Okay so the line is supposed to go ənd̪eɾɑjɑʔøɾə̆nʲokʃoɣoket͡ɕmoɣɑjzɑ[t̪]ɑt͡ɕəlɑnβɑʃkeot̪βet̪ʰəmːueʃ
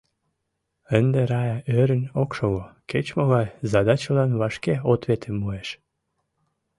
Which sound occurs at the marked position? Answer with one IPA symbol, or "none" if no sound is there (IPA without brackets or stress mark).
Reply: d̪